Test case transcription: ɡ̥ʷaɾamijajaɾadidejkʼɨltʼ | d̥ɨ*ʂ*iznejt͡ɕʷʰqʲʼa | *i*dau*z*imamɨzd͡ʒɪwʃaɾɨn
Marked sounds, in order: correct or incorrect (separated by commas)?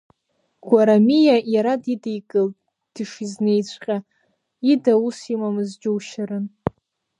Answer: correct, correct, incorrect